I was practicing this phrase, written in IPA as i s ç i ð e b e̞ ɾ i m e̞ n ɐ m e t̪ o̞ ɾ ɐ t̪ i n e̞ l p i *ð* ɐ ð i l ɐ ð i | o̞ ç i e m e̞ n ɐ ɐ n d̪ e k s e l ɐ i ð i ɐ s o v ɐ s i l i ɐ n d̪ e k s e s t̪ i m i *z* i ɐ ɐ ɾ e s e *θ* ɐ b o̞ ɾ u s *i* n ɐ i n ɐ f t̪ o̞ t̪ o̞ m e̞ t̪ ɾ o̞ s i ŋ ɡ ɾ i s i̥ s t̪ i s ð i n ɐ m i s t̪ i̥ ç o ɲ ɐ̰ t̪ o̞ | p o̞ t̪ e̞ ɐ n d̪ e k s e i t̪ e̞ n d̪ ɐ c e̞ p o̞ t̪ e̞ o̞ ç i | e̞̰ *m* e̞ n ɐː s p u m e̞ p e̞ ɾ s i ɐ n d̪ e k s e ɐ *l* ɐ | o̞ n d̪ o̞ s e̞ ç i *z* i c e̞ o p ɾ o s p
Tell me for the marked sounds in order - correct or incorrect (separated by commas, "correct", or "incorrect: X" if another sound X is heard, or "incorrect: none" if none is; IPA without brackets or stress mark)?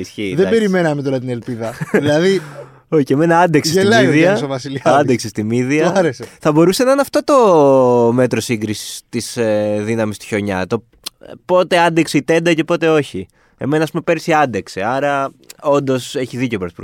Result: correct, incorrect: ð, correct, incorrect: e, correct, incorrect: ɾ, incorrect: ð